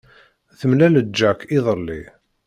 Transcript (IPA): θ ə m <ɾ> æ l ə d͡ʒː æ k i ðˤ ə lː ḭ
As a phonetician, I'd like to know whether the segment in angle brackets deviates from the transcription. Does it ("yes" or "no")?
yes